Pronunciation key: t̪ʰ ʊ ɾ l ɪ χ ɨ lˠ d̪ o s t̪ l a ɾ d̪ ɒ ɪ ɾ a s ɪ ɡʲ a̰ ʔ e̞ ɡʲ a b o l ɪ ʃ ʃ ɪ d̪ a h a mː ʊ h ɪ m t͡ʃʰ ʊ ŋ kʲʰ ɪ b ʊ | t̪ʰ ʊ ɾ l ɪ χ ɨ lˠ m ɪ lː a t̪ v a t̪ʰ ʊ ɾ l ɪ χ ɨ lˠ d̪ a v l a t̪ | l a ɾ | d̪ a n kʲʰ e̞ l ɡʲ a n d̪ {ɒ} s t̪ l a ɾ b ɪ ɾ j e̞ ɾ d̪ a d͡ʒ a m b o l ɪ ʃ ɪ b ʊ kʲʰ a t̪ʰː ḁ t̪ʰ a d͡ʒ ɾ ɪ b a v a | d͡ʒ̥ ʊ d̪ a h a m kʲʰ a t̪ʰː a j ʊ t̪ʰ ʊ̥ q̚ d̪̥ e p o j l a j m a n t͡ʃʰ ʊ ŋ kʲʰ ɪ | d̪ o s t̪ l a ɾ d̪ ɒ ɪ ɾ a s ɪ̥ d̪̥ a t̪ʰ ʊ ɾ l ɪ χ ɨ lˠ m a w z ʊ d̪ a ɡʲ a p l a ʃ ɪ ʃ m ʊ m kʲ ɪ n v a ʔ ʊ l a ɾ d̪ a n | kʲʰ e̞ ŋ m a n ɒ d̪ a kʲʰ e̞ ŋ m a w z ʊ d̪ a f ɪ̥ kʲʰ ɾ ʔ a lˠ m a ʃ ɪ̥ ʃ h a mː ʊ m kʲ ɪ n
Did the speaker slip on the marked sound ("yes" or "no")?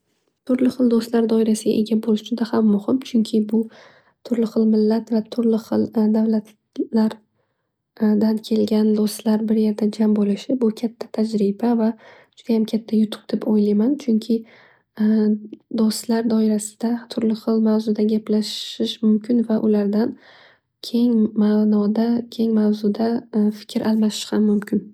yes